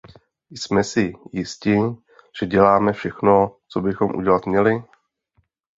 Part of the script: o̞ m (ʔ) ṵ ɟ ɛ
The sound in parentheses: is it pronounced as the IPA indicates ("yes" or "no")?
yes